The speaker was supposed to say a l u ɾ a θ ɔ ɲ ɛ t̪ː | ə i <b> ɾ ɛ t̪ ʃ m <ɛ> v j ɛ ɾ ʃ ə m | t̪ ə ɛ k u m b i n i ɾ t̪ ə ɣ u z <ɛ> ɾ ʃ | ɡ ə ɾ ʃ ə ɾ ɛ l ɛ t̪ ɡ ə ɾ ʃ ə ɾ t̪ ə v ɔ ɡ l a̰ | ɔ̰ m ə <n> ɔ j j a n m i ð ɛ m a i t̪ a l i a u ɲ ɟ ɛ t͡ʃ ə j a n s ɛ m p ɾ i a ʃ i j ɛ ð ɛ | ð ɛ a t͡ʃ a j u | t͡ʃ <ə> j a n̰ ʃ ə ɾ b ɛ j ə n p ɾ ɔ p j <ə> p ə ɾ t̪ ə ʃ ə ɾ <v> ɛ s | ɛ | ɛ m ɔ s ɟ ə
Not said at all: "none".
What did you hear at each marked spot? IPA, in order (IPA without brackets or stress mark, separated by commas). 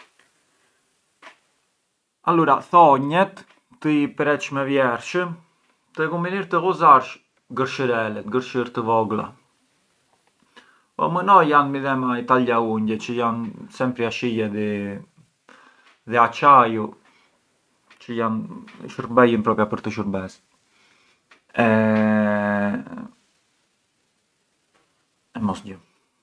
p, ɛ, a, n, ə, a, b